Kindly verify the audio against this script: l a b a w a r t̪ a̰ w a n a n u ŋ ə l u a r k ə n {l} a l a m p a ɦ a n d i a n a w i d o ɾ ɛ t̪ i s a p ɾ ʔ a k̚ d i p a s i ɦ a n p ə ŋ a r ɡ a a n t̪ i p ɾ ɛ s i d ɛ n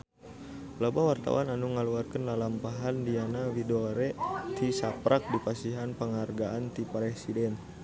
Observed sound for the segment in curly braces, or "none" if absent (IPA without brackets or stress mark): l